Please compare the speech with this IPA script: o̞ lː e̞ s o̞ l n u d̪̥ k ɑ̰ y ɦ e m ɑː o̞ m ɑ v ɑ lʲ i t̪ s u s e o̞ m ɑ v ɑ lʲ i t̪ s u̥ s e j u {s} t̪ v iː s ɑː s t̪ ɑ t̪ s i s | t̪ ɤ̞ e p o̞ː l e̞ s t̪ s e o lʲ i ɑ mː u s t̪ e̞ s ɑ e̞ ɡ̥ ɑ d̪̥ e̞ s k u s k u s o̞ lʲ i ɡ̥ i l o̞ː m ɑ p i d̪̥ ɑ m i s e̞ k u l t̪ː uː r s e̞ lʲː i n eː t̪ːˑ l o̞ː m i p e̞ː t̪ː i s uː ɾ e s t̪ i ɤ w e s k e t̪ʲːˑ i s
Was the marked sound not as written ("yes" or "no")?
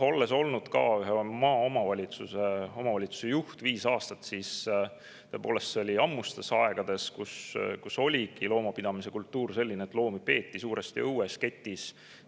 yes